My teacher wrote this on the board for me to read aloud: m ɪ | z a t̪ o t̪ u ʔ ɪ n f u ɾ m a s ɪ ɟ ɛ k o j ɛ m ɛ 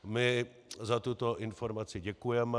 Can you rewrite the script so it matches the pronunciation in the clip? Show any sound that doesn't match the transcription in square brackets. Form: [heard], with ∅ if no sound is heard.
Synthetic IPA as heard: m ɪ | z a t̪ [u] t̪ [o] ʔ ɪ n f [o] ɾ m a [t͡s] ɪ ɟ ɛ k [u] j ɛ m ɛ